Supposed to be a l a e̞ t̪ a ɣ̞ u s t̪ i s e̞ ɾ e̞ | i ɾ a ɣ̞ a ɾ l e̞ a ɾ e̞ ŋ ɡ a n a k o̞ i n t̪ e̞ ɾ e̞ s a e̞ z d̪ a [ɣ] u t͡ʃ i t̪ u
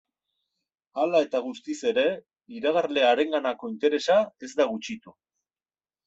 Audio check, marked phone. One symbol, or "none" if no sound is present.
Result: ɣ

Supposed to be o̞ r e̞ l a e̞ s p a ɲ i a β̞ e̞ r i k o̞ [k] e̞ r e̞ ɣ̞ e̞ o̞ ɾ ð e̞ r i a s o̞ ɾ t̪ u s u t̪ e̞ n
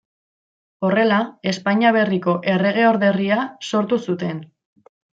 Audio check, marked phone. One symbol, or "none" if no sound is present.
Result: ʔ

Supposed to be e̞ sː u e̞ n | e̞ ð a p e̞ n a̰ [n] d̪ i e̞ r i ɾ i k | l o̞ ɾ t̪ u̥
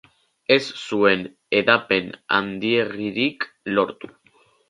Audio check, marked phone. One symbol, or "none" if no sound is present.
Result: n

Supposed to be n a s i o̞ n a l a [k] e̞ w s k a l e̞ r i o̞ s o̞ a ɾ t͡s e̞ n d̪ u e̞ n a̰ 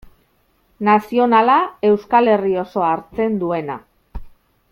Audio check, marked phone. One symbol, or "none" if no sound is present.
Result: none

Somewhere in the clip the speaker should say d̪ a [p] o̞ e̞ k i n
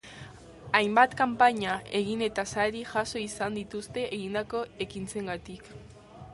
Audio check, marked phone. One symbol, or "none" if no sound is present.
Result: k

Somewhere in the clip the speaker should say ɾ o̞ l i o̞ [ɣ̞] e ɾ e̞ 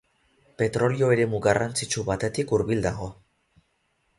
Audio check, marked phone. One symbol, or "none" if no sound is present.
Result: none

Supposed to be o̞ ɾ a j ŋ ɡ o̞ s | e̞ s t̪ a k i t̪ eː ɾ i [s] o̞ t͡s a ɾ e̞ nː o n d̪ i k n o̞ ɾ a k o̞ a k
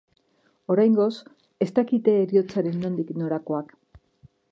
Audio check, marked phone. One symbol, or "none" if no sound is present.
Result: none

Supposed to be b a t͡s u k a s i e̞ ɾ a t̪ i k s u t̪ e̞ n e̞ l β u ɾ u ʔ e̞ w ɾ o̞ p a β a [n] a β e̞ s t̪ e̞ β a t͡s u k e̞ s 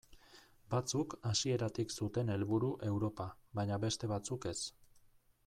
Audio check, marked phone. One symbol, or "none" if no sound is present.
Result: ɲ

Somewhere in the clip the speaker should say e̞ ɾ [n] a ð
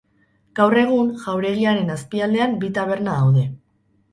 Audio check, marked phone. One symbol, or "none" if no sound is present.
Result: n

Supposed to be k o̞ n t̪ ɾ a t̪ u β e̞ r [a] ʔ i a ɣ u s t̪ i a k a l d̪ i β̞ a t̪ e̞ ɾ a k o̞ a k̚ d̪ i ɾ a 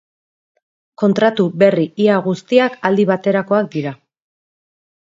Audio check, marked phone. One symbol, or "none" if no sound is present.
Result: i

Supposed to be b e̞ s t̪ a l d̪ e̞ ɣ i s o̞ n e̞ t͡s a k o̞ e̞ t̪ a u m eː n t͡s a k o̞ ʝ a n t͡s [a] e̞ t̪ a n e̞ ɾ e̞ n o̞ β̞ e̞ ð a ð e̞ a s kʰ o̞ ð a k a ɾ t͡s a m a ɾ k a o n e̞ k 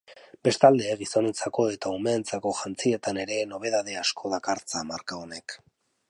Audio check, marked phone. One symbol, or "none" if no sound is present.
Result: i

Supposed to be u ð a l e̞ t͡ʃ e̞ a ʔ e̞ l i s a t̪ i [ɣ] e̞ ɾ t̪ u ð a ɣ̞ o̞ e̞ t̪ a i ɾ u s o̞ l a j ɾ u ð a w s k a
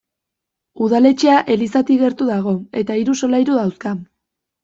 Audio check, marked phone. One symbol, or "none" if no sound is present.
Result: ɣ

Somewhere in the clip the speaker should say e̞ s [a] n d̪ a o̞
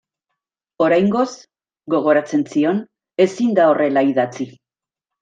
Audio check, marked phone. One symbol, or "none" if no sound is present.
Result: i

